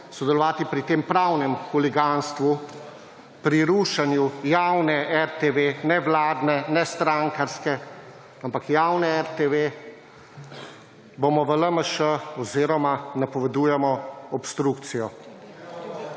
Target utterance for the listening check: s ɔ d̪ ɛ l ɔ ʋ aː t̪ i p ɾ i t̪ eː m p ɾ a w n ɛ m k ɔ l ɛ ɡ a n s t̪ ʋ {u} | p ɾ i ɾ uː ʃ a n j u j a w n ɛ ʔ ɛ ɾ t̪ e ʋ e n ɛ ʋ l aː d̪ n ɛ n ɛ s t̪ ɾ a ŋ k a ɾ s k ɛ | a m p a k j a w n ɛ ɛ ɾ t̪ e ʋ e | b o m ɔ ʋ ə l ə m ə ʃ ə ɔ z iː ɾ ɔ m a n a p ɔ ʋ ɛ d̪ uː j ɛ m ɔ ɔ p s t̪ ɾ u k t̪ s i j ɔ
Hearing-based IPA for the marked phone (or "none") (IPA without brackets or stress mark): u